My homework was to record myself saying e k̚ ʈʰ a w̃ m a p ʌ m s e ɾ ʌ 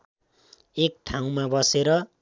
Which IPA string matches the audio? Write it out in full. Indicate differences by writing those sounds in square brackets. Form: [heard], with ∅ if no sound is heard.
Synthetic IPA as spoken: e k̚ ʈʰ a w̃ m a [b] ʌ [∅] s e ɾ ʌ